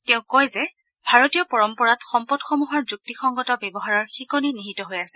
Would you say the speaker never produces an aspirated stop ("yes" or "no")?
yes